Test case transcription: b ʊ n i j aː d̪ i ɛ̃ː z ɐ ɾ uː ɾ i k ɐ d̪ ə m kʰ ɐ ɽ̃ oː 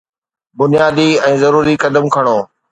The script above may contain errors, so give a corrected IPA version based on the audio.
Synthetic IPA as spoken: b ʊ n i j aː d̪ i ɛ̃ː z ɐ ɾ uː ɾ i k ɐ d̪ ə m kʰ ɐ ɽ̃ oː